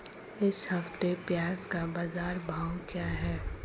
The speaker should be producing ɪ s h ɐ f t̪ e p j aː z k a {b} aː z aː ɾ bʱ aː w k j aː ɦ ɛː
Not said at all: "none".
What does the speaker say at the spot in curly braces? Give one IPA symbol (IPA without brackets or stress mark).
b